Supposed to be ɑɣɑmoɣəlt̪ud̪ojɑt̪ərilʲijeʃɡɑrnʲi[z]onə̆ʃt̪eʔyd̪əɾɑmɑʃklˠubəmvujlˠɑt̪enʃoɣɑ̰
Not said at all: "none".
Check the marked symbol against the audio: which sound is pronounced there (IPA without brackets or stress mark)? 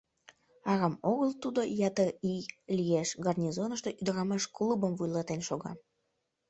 z